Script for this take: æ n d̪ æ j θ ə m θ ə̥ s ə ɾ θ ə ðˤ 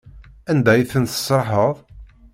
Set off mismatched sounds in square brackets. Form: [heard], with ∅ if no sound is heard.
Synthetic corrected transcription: æ n d̪ æ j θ ə [n] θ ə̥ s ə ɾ [ħ] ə ðˤ